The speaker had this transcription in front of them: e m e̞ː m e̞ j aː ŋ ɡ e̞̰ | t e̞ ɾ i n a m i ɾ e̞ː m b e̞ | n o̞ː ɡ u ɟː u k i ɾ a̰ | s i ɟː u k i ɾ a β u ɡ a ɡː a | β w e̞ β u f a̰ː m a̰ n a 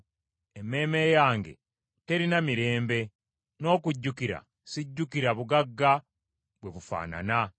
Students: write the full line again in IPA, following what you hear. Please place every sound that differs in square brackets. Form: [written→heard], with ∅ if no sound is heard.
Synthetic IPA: e m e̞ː m e̞ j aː ŋ ɡ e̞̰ | t e̞ ɾ i n a m i ɾ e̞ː m b e̞ | n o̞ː [ɡ→k] u ɟː u k i ɾ a̰ | s i ɟː u k i ɾ a β u ɡ a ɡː a | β w e̞ β u f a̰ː [m→n] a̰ n a